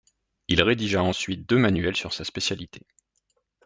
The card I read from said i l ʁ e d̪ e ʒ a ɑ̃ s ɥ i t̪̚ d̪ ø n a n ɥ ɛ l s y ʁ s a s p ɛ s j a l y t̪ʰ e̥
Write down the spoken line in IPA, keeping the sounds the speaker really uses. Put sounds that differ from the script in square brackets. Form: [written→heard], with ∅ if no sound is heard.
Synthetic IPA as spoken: i l ʁ e d̪ [e→i] ʒ a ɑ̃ s ɥ i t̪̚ d̪ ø [n→m] a n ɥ ɛ l s y ʁ s a s p [ɛ→e] s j a l [y→i] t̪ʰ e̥